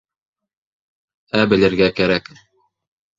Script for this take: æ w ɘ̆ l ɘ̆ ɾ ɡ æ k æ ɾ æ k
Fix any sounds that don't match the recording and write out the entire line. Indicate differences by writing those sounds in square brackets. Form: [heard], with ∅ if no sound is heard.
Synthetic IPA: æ [b] ɘ̆ l ɘ̆ ɾ ɡ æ k æ ɾ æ k